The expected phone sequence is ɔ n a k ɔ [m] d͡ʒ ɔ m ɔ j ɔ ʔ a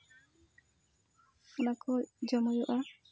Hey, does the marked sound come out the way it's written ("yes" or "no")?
no